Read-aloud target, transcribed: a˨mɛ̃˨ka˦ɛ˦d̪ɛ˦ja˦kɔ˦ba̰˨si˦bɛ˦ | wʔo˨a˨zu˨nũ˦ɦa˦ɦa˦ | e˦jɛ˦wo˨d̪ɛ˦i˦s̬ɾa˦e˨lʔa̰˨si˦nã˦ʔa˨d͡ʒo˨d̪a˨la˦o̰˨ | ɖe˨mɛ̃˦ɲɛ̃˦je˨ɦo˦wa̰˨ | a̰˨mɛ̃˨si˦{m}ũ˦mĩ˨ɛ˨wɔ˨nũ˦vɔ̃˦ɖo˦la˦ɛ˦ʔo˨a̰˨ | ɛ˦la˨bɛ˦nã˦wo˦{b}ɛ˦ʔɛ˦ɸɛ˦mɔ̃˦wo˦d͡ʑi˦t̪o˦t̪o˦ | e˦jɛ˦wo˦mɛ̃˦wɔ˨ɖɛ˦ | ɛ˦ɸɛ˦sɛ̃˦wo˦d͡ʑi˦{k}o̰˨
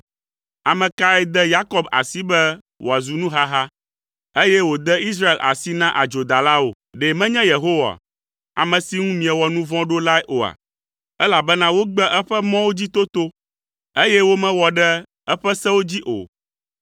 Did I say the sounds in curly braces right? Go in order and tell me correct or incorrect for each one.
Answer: incorrect: ŋ, incorrect: ɡ͡b, incorrect: ʔ

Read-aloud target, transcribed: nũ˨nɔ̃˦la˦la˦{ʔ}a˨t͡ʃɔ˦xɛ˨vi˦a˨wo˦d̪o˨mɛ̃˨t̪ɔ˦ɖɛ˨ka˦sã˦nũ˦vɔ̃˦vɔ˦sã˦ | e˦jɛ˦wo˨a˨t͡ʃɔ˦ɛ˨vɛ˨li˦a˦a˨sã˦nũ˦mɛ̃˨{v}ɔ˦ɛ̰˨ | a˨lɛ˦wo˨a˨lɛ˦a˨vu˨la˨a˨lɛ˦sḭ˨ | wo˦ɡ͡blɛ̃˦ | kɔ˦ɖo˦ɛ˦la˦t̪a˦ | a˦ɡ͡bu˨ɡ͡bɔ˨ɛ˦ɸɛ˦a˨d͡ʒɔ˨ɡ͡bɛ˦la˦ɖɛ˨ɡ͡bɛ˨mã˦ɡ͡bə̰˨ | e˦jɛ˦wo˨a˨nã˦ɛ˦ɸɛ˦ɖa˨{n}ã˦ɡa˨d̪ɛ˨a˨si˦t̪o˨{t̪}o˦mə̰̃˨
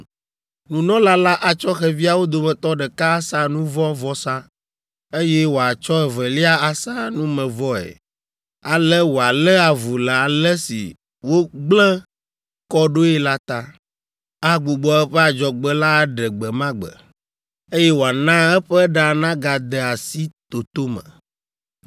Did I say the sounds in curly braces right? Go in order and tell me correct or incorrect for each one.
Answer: correct, correct, correct, correct

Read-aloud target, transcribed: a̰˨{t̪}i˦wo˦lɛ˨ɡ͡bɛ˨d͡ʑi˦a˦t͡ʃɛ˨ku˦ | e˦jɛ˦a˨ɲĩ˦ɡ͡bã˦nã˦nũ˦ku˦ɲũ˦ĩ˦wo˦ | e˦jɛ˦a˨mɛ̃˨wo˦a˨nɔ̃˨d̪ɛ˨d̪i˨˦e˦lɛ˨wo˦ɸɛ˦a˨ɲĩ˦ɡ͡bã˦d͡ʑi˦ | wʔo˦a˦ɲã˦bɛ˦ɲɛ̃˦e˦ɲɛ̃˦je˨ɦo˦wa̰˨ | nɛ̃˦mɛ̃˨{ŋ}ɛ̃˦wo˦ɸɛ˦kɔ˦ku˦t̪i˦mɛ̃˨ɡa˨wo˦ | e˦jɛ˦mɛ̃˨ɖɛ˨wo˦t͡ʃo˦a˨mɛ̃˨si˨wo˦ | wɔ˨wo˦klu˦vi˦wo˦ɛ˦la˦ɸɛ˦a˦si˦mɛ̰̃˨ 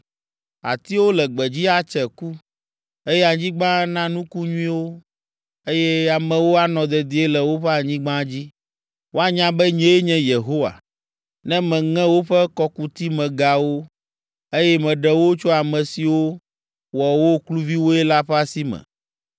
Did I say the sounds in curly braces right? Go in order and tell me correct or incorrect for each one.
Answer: correct, correct

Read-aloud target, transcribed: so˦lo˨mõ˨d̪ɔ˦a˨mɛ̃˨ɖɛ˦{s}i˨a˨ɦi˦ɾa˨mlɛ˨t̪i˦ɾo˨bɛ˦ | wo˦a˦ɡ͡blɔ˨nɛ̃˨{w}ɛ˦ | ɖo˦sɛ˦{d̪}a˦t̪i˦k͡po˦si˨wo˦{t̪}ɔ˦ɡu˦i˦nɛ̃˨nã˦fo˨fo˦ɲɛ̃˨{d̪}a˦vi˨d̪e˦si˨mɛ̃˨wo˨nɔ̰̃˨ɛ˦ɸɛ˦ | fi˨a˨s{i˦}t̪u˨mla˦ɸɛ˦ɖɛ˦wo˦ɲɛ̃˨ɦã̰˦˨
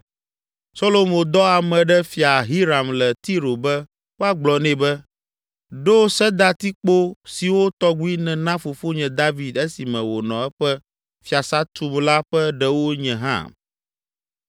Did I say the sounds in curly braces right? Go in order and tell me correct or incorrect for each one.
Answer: incorrect: f, incorrect: b, correct, correct, correct, incorrect: a˦

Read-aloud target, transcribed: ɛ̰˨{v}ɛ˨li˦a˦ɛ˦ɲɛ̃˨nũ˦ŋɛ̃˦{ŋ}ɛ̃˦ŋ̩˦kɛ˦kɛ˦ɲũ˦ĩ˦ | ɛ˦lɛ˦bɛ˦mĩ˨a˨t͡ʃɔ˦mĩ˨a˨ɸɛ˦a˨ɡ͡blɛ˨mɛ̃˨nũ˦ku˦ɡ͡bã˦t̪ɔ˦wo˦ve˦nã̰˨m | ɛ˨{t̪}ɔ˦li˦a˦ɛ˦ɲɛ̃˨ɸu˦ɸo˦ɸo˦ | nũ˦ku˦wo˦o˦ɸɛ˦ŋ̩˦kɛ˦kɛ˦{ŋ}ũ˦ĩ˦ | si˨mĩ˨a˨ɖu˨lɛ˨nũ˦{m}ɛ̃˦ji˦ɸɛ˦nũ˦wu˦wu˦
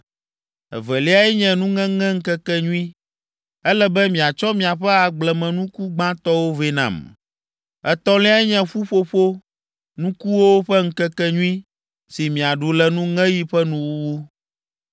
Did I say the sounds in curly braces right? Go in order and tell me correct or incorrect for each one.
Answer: correct, correct, correct, incorrect: ɲ, incorrect: ŋ

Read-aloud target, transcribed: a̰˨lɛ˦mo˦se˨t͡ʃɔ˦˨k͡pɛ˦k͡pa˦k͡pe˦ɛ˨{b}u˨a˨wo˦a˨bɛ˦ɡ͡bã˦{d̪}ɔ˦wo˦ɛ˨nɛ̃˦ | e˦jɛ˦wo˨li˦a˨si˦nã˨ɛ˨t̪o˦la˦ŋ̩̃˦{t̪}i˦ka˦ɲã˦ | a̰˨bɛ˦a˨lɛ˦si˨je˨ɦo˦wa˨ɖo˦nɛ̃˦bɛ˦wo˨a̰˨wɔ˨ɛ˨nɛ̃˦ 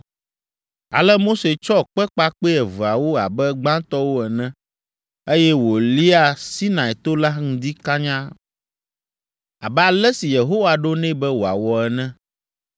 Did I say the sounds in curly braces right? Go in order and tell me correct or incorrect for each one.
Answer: incorrect: v, incorrect: t̪, incorrect: d̪

